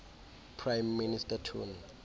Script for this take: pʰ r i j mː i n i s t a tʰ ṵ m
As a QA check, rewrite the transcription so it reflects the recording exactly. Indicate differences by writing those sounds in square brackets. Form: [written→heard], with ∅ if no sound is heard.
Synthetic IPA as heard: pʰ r [i→a] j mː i n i s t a tʰ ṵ [m→n]